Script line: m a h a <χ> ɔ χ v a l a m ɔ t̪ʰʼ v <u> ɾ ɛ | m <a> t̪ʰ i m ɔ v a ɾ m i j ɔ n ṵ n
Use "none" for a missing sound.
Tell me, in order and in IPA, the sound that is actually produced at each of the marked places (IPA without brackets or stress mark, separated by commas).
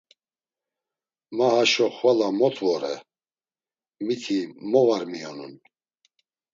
ʃ, ɔ, i